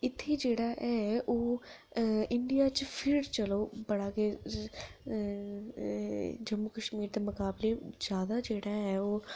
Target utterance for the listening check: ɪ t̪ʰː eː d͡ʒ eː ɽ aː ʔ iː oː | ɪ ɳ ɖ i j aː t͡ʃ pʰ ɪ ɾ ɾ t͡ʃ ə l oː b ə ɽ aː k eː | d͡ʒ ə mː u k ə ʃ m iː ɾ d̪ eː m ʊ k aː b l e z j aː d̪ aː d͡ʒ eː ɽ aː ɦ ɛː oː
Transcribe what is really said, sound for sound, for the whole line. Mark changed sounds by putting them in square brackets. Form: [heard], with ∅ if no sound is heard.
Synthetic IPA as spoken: ɪ t̪ʰː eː d͡ʒ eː ɽ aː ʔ [ɛː] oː | ɪ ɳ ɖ i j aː t͡ʃ pʰ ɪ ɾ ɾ t͡ʃ ə l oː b ə ɽ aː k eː | d͡ʒ ə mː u k ə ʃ m iː ɾ d̪ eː m ʊ k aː b l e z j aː d̪ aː d͡ʒ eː ɽ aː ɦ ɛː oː

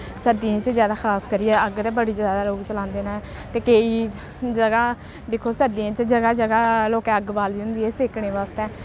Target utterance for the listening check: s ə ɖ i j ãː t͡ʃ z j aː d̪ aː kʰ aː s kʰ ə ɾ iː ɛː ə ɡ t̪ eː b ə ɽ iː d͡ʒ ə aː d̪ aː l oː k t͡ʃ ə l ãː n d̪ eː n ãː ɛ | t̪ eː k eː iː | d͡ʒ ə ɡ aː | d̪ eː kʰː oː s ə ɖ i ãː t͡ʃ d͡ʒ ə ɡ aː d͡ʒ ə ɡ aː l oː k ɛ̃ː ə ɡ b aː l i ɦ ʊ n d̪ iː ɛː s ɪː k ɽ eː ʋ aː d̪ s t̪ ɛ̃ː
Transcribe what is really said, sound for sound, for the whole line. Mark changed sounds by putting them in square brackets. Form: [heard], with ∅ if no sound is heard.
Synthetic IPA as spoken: s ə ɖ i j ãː t͡ʃ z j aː d̪ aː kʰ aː s [k] ə ɾ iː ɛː ə ɡ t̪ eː b ə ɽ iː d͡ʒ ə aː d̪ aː l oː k t͡ʃ ə l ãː n d̪ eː n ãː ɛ | t̪ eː k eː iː | d͡ʒ ə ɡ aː | d̪ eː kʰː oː s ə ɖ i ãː t͡ʃ d͡ʒ ə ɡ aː d͡ʒ ə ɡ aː l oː k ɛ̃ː ə ɡ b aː l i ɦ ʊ n d̪ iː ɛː s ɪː k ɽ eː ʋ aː [∅] s t̪ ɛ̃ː

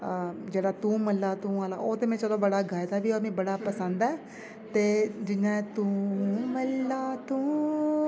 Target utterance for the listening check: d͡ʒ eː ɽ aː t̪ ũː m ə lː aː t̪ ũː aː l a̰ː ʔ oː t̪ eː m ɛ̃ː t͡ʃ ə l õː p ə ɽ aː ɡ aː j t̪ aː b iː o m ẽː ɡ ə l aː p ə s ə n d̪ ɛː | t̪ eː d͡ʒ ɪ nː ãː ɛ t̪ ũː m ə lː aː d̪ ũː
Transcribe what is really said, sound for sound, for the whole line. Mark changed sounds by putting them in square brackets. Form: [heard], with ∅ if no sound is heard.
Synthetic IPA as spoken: d͡ʒ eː ɽ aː t̪ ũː m ə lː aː t̪ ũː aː l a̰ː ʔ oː t̪ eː m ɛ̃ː t͡ʃ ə l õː [b] ə ɽ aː ɡ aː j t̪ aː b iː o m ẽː [b] ə [ɽ] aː p ə s ə n d̪ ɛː | t̪ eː d͡ʒ ɪ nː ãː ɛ t̪ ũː m ə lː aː [t̪] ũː

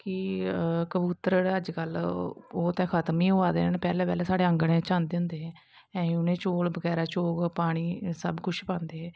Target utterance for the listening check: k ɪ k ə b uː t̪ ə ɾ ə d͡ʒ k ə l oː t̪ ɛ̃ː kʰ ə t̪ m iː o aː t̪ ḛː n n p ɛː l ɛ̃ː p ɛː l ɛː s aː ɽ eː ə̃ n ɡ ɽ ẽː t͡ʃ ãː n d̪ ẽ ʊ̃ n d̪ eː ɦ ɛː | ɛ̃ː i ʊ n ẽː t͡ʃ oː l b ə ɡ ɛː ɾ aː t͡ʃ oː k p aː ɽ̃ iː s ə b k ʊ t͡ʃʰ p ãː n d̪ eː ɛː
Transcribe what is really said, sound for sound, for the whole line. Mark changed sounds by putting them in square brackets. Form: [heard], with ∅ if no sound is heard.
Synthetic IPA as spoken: k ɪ k ə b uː t̪ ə ɾ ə d͡ʒ k ə l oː t̪ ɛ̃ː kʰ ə t̪ m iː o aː [d̪] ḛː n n p ɛː l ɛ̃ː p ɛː l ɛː s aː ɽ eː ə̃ [ŋ] ɡ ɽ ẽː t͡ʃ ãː n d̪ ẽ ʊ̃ n d̪ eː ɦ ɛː | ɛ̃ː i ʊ n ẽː t͡ʃ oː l b ə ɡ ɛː ɾ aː t͡ʃ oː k p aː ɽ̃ iː s ə b k ʊ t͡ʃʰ p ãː n d̪ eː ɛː

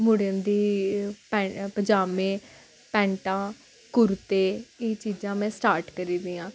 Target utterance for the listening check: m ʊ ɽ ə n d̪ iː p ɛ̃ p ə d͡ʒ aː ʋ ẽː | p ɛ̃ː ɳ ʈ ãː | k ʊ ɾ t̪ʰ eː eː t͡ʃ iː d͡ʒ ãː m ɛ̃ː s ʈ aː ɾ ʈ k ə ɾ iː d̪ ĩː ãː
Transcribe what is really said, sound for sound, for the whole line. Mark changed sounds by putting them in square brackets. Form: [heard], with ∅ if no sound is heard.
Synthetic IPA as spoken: m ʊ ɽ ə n d̪ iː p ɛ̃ p ə d͡ʒ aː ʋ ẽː | p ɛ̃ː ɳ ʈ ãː | k ʊ ɾ [t̪] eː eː t͡ʃ iː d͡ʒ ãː m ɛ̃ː s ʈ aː ɾ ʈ k ə ɾ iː d̪ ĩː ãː

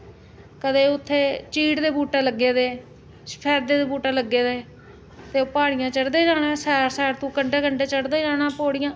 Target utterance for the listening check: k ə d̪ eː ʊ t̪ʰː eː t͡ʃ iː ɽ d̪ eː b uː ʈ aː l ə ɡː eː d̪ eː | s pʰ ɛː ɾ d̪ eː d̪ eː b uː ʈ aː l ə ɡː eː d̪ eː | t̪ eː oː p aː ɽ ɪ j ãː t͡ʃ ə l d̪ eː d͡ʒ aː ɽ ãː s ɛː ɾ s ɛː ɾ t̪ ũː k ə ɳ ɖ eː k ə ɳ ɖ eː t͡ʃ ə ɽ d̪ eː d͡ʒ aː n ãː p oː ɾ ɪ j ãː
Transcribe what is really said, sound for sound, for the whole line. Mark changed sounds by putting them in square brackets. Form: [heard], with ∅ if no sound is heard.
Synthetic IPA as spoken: k ə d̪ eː ʊ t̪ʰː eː t͡ʃ iː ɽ d̪ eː b uː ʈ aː l ə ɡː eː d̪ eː | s pʰ ɛː ɾ d̪ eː d̪ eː b uː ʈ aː l ə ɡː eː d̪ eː | t̪ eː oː p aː ɽ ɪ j ãː t͡ʃ ə [ɽ] d̪ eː d͡ʒ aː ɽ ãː s ɛː ɾ s ɛː ɾ t̪ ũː k ə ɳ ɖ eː k ə ɳ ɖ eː t͡ʃ ə ɽ d̪ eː d͡ʒ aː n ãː p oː [ɽ] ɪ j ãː

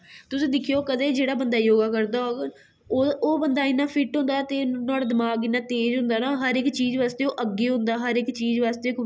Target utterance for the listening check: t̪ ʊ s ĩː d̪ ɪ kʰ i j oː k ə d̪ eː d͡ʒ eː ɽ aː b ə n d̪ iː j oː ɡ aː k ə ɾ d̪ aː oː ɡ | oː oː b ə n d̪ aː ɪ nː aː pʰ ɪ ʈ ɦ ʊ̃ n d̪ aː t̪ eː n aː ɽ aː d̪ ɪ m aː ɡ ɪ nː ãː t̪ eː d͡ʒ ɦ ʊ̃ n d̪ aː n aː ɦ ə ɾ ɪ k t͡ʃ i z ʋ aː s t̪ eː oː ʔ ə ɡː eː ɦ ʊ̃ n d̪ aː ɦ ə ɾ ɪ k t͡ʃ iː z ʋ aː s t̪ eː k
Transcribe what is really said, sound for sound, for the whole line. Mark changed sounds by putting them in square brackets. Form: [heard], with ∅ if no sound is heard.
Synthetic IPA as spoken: t̪ ʊ s ĩː d̪ ɪ kʰ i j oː k ə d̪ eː d͡ʒ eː ɽ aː b ə n d̪ [aː] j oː ɡ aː k ə ɾ d̪ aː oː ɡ | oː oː b ə n d̪ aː ɪ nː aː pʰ ɪ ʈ ɦ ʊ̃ n d̪ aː t̪ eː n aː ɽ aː d̪ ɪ m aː ɡ ɪ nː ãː t̪ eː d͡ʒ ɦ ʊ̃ n d̪ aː n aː ɦ ə ɾ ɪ k t͡ʃ [iː] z ʋ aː s t̪ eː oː ʔ ə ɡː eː ɦ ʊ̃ n d̪ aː ɦ ə ɾ ɪ k t͡ʃ iː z ʋ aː s t̪ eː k

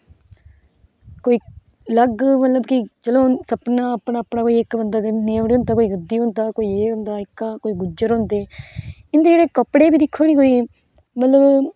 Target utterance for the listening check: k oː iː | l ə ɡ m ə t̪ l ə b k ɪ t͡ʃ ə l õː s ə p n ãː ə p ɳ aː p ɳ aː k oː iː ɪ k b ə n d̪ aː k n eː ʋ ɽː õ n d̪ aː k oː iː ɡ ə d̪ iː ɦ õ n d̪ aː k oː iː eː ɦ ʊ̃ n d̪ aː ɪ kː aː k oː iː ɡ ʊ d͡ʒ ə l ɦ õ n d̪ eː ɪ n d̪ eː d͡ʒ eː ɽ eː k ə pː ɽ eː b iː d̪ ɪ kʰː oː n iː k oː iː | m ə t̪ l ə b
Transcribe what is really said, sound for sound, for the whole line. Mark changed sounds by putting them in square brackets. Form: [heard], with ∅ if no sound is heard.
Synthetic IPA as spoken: k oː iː | l ə ɡ m ə t̪ l ə b k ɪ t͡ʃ ə l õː s ə p n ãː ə p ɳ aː p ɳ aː k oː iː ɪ k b ə n d̪ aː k n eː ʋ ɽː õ n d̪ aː k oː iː ɡ ə d̪ iː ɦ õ n d̪ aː k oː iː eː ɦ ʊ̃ n d̪ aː ɪ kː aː k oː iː ɡ ʊ d͡ʒ ə [ɾ] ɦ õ n d̪ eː ɪ n d̪ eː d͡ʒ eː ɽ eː k ə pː ɽ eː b iː d̪ ɪ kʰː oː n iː k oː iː | m ə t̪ l ə b

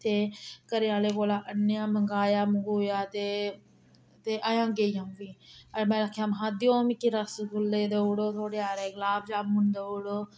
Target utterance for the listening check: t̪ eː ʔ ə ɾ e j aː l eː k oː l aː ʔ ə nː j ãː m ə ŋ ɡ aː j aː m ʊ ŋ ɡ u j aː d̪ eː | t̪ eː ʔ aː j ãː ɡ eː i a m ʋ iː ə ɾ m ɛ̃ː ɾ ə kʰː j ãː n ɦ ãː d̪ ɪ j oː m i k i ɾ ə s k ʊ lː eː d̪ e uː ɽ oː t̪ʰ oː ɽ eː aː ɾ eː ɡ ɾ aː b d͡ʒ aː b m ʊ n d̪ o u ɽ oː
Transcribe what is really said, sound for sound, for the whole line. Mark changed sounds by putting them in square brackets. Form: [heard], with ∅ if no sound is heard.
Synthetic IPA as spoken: t̪ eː [k] ə ɾ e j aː l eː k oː l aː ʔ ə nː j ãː m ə ŋ ɡ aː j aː m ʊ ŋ ɡ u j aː [t̪] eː | t̪ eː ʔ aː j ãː ɡ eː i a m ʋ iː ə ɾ m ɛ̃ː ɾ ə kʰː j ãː [m] ɦ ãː d̪ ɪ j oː m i k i ɾ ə s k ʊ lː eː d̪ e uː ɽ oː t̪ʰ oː ɽ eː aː ɾ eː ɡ [l] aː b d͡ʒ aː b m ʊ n d̪ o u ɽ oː

